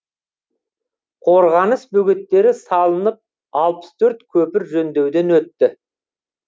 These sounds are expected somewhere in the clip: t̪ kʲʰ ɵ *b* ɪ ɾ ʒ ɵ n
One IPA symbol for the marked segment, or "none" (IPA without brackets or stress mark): p